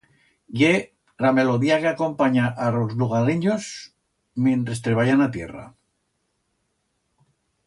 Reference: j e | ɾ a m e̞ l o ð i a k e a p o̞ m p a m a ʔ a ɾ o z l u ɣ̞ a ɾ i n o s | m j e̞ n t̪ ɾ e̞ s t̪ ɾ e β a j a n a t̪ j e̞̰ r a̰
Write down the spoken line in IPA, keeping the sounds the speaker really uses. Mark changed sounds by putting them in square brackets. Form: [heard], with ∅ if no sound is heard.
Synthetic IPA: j e | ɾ a m e̞ l o ð i a k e a [k] o̞ m p a [ɲ] a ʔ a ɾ o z l u ɣ̞ a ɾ i [ɲ] o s | m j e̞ n t̪ ɾ e̞ s t̪ ɾ e β a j a n a t̪ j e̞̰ r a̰